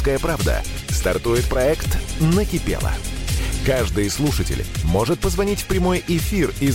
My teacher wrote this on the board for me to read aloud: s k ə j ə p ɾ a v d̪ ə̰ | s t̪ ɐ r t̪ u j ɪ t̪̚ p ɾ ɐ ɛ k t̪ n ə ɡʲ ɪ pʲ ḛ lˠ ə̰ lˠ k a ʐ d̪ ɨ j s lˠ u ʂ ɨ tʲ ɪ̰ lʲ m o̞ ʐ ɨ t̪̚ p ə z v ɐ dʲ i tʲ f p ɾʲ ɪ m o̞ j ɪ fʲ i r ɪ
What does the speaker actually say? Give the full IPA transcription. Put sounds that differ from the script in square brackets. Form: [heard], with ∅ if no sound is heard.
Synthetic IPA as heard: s k ə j ə p ɾ a v d̪ ə̰ | s t̪ ɐ r t̪ u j ɪ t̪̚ p ɾ ɐ ɛ k t̪ n ə [kʲ] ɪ pʲ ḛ lˠ ə̰ [∅] k a ʐ d̪ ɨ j s lˠ u ʂ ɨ tʲ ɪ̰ lʲ m o̞ ʐ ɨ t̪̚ p ə z v ɐ [nʲ] i tʲ f p ɾʲ ɪ m o̞ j ɪ fʲ i r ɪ